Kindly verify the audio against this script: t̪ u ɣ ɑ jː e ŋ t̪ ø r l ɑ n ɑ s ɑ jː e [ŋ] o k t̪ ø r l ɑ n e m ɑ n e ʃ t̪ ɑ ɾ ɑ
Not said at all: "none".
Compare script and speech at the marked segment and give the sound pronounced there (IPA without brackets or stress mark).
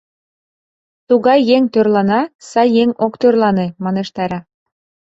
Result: ŋ